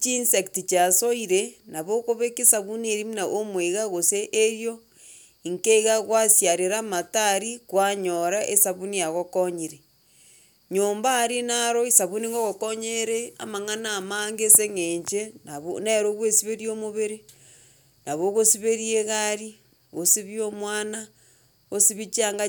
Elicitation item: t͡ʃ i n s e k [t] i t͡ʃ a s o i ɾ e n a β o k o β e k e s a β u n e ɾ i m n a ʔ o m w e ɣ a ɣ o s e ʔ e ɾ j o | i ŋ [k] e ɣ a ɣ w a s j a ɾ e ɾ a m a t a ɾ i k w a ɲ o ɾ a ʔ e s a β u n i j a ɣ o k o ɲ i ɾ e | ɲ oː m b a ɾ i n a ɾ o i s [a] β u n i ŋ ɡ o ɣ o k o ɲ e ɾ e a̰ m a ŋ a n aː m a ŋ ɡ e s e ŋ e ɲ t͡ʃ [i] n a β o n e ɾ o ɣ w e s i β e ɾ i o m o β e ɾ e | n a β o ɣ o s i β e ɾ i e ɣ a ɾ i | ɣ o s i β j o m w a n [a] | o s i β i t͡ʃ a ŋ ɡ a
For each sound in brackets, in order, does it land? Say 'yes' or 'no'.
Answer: yes, yes, yes, no, yes

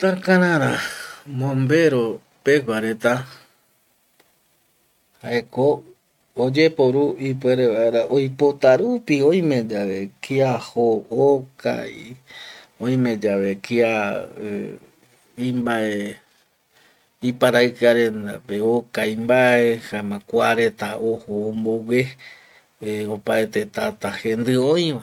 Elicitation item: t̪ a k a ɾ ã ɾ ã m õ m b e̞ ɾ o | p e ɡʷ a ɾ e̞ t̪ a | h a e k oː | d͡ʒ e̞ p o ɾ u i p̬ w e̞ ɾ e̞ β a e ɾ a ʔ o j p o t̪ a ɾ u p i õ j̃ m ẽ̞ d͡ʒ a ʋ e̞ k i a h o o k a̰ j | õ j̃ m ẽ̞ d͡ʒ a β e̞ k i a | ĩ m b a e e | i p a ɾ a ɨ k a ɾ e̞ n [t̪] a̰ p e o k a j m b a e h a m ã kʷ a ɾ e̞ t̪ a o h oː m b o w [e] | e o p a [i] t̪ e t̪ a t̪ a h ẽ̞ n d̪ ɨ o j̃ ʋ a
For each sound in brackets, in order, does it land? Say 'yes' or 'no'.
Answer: no, yes, no

